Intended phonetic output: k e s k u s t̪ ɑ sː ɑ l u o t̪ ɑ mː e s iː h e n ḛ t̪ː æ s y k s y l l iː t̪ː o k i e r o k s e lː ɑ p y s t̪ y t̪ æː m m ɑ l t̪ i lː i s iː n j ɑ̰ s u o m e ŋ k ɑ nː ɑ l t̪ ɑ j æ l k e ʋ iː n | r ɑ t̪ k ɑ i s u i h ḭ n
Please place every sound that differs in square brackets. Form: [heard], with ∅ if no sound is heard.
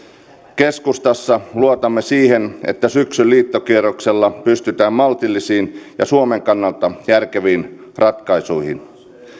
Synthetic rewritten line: k e s k u s t̪ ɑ sː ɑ l u o t̪ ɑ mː e s iː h e n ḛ t̪ː æ s y k s y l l iː t̪ː o k i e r o k s e lː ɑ p y s t̪ y t̪ æː m m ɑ l t̪ i lː i s iː n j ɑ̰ s u o m e ŋ k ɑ nː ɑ l t̪ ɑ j æ [r] k e ʋ iː n | r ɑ t̪ k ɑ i s u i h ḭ n